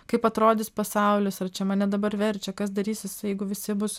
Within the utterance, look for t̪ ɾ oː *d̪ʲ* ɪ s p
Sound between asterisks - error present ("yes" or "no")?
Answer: no